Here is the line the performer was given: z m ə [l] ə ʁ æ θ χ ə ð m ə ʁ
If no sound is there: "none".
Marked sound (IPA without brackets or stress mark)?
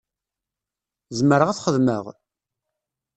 ɾ